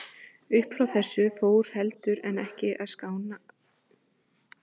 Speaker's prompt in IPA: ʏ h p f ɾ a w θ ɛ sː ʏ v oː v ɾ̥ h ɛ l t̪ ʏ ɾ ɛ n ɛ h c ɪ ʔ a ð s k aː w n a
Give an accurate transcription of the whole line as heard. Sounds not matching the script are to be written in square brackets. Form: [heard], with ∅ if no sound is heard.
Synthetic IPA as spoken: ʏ h p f ɾ a w θ ɛ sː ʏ [f] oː [w] ɾ̥ h ɛ l t̪ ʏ ɾ ɛ n ɛ h c ɪ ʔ a ð s k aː w n a